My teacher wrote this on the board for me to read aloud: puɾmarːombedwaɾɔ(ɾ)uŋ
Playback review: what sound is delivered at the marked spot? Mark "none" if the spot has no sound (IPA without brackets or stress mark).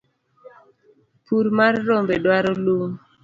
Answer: l